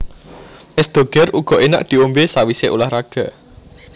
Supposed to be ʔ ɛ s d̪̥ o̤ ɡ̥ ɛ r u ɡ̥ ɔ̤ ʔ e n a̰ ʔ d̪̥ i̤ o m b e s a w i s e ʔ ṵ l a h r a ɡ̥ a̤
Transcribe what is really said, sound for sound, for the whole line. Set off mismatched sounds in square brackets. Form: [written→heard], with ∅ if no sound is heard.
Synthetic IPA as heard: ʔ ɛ s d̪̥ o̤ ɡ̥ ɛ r u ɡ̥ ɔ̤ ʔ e n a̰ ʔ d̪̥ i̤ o m b e s a w i s e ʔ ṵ l a h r a ɡ̥ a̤